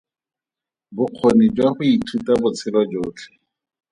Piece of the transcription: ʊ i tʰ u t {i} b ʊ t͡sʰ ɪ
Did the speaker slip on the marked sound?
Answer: yes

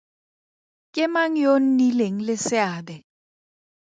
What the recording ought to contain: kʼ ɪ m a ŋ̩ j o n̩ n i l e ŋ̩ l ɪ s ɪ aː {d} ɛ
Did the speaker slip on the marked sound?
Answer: no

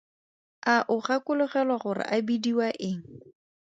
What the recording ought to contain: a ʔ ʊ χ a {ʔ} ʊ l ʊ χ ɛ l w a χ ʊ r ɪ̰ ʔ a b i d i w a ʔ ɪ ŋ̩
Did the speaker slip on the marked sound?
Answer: yes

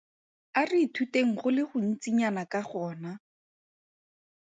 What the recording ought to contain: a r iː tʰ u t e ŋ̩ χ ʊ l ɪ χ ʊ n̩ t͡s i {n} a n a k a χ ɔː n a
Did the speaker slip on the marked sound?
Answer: yes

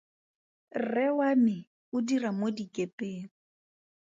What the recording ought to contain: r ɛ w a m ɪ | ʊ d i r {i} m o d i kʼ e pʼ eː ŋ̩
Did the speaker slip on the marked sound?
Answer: yes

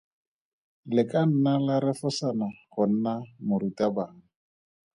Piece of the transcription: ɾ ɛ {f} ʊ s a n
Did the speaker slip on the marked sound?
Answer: no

